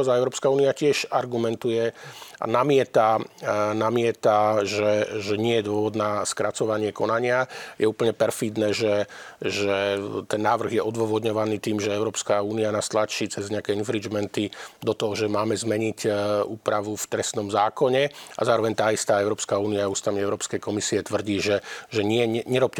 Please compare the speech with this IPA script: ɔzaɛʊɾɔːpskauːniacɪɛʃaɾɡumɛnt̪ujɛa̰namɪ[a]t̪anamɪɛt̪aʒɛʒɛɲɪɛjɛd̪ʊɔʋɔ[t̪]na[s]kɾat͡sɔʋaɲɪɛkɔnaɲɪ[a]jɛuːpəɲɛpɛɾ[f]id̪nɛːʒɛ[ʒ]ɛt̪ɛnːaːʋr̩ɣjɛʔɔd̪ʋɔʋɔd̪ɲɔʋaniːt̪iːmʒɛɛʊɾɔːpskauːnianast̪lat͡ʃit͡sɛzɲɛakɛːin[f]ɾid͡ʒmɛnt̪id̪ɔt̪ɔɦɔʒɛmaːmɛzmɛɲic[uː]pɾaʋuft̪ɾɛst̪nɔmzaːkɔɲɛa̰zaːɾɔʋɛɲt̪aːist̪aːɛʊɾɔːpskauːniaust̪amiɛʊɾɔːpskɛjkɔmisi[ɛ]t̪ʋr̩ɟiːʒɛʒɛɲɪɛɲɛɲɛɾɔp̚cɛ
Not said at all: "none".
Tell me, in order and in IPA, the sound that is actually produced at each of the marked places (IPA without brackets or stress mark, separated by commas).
ɛ, d̪, s, a, f, ʒ, f, uː, ɛ